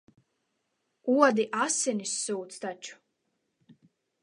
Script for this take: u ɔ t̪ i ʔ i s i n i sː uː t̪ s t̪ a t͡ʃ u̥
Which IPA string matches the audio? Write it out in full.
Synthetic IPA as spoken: u ɔ d̪ i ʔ a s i n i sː uː t̪ s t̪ a t͡ʃ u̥

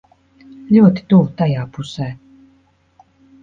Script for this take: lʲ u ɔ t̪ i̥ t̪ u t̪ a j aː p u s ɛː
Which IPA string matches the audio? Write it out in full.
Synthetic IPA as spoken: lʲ u ɔ t̪ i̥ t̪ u t̪ a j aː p u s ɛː

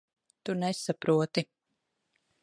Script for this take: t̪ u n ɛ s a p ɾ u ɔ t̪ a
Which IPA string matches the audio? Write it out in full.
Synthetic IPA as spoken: t̪ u n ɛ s a p ɾ u ɔ t̪ i

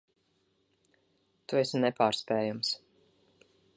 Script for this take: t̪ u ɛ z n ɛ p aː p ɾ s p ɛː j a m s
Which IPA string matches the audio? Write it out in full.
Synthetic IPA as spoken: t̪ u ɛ s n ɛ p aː ɾ s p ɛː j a m s

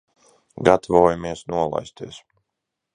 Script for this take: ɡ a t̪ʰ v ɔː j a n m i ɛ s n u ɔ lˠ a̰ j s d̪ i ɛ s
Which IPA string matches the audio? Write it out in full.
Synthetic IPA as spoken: ɡ a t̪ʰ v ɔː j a m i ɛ s n u ɔ lˠ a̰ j s t̪ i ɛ s

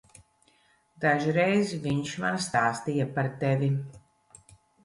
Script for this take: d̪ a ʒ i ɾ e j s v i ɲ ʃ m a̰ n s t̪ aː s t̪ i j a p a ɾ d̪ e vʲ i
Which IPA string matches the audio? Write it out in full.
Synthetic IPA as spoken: d̪ a ʒ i ɾ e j z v i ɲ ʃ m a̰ n s t̪ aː s t̪ i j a p a ɾ t̪ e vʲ i

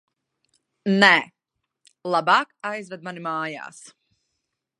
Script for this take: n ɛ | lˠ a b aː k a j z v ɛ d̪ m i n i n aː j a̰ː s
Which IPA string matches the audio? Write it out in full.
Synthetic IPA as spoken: n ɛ | lˠ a b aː k a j z v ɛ d̪ m a n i m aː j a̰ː s

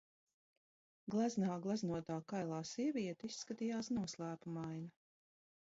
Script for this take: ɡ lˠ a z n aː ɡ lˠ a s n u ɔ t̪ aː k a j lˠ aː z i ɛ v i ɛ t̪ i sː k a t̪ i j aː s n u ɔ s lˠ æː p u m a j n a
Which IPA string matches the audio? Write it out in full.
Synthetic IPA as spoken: ɡ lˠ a z n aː ɡ lˠ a z n u ɔ t̪ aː k a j lˠ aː s i ɛ v i ɛ t̪ i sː k a t̪ i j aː s n u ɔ s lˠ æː p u m a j n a

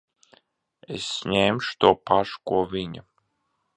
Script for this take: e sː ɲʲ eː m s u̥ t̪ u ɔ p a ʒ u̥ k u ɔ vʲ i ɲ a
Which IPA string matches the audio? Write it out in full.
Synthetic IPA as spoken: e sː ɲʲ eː m ʃ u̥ t̪ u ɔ p a ʃ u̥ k u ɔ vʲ i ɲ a

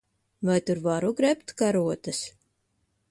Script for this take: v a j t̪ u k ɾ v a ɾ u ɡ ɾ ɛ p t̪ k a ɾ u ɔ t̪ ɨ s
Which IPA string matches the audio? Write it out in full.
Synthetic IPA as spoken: v a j t̪ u ɾ v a ɾ u ɡ ɾ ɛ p t̪ k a ɾ u ɔ t̪ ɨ s

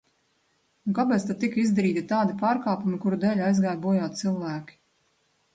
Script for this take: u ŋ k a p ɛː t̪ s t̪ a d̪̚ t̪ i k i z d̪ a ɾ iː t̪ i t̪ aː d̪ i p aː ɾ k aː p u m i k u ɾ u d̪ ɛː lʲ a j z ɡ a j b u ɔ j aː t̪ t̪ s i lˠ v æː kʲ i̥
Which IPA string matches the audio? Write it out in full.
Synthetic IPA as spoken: u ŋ k a p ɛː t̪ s t̪ a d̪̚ t̪ i k i z d̪ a ɾ iː t̪ i t̪ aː d̪ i p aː ɾ k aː p u m i k u ɾ u d̪ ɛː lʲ a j z ɡ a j b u ɔ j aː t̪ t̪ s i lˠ v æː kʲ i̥

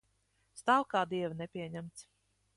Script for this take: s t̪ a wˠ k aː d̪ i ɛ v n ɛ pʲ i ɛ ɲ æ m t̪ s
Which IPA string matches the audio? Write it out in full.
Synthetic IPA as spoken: s t̪ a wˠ k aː d̪ i ɛ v n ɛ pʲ i ɛ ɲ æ m t̪ s

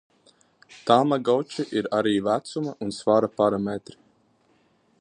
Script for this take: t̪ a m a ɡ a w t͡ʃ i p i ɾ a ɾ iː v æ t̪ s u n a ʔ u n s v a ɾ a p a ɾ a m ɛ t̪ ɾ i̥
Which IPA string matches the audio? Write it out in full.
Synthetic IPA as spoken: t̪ a m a ɡ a w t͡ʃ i ʔ i ɾ a ɾ iː v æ t̪ s u m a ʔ u n s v a ɾ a p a ɾ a m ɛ t̪ ɾ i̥

